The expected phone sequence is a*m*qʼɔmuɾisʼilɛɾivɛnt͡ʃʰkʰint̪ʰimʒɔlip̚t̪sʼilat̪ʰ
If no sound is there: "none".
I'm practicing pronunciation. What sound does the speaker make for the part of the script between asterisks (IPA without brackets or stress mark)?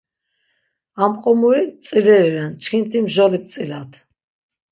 m